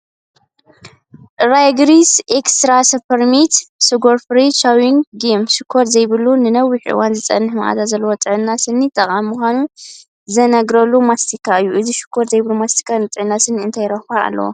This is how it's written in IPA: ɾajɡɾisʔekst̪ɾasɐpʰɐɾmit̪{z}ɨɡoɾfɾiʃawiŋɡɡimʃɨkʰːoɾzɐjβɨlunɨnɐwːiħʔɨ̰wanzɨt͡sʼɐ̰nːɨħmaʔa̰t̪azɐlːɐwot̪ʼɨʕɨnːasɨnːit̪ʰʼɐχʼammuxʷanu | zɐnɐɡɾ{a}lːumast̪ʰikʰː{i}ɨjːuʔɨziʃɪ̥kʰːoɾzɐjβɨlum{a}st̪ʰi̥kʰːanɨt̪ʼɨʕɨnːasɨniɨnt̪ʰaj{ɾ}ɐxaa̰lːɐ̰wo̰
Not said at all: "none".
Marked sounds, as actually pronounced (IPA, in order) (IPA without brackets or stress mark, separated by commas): s, ɐ, a, a, ɾ